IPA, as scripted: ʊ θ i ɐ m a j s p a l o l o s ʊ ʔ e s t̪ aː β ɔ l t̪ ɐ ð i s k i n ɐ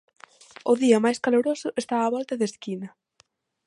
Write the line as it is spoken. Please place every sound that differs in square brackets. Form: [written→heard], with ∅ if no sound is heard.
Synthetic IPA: ʊ [θ→ð] i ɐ m a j s [p→k] a l o [l→ɾ] o s ʊ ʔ e s t̪ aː β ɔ l t̪ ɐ ð [i→e] s k i n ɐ